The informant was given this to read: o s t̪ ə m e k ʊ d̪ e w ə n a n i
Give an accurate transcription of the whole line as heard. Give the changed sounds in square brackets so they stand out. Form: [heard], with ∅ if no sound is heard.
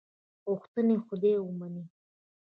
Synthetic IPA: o [x] t̪ ə [n] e [x] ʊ d̪ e w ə [m] a n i